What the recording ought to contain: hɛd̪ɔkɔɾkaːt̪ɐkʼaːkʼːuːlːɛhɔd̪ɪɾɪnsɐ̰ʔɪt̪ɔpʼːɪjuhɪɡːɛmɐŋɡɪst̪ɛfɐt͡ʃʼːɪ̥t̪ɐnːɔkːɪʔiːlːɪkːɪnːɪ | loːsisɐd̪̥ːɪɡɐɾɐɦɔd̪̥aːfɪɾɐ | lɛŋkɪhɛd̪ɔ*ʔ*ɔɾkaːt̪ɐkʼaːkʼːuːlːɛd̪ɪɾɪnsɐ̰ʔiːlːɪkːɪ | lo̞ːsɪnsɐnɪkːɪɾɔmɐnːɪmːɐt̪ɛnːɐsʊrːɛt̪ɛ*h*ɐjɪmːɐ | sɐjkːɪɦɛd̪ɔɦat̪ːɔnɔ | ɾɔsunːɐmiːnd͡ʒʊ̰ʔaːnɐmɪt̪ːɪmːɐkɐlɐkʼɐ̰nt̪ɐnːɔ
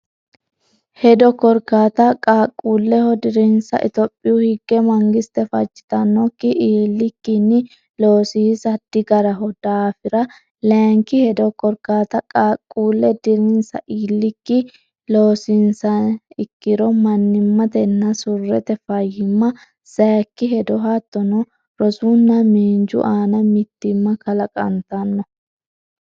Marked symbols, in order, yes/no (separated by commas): no, no